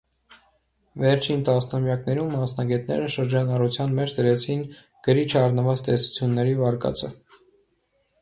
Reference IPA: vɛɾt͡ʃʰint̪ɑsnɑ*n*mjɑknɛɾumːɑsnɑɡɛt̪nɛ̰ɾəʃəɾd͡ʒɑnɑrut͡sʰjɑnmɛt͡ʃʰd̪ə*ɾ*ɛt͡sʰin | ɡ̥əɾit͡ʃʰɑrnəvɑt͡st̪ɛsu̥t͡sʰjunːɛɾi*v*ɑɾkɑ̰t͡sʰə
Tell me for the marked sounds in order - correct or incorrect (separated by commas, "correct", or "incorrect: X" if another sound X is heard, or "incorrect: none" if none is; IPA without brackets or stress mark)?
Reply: incorrect: none, correct, correct